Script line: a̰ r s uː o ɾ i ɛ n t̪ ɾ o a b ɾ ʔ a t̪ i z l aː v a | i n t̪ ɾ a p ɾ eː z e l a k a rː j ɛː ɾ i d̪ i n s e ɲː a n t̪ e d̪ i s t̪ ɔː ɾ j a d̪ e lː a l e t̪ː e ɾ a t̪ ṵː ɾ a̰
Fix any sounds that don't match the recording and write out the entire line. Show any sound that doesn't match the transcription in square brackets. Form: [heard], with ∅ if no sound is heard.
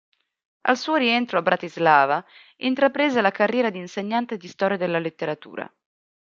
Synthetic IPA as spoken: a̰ [l] s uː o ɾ i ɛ n t̪ ɾ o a b ɾ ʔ a t̪ i z l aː v a | i n t̪ ɾ a p ɾ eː z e l a k a rː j ɛː ɾ [a] d̪ i n s e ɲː a n t̪ e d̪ i s t̪ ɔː ɾ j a d̪ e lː a l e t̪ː e ɾ a t̪ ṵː ɾ a̰